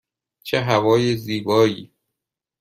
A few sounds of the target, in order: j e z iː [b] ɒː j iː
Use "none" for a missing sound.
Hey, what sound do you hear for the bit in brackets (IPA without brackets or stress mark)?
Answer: b